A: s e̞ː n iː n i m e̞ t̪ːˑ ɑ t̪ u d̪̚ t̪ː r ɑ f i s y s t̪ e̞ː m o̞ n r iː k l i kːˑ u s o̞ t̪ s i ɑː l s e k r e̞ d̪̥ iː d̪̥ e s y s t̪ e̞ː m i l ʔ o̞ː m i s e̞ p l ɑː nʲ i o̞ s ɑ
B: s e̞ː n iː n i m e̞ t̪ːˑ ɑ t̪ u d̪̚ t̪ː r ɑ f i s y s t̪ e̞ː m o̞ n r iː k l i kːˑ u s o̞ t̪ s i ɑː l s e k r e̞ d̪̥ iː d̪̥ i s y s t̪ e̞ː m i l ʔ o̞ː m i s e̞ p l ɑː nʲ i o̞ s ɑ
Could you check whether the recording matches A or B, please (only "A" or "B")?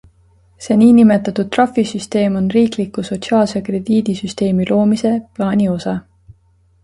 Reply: B